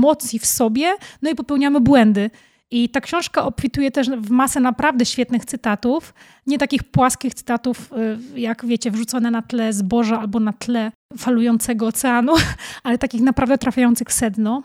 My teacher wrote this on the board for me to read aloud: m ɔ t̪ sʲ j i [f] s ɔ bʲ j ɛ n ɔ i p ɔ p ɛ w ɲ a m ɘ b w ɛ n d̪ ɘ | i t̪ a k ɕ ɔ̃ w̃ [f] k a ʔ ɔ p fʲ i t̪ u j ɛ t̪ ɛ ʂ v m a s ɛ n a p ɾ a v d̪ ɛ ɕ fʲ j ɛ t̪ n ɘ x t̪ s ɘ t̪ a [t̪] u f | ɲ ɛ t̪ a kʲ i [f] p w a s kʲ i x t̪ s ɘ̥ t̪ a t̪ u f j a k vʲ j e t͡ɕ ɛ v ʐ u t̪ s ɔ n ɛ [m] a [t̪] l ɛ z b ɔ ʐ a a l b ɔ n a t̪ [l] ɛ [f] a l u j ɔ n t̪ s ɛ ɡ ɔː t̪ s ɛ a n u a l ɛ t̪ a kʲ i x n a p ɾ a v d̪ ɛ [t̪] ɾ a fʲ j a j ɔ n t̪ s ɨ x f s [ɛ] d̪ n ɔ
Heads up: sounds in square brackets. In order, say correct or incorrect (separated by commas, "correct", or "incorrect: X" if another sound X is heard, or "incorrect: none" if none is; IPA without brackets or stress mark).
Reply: correct, incorrect: ʂ, correct, incorrect: x, incorrect: n, correct, correct, correct, correct, correct